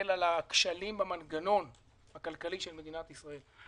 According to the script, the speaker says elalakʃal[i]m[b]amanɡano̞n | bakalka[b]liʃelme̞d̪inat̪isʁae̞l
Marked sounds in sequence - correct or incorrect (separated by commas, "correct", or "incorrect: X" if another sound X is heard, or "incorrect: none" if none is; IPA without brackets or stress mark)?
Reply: correct, correct, incorrect: none